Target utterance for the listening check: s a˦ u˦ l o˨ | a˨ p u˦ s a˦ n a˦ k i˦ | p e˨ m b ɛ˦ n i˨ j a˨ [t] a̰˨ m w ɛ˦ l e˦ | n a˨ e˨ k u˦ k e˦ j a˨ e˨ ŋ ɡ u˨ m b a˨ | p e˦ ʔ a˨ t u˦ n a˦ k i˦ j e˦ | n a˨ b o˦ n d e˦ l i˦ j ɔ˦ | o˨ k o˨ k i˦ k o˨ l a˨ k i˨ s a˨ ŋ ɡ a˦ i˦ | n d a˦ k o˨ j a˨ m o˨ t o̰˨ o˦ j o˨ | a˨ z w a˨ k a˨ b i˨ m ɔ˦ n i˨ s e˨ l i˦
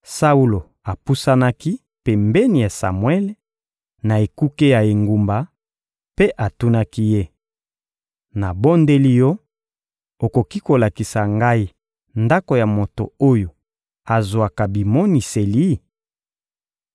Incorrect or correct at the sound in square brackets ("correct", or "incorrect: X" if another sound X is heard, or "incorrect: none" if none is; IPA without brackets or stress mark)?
incorrect: s